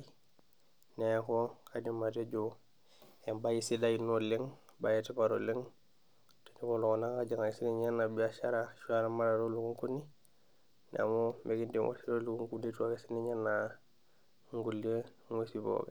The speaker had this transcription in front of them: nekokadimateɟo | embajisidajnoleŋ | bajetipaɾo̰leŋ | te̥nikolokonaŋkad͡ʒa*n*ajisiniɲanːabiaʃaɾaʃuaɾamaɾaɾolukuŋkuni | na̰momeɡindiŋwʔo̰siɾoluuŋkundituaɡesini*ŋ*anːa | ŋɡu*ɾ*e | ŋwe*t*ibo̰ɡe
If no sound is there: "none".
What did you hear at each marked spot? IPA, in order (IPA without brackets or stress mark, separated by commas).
ŋ, ɲ, l, s